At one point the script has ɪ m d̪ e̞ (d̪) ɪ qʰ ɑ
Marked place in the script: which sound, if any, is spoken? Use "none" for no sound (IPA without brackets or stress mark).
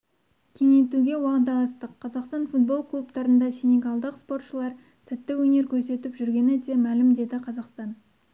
d̪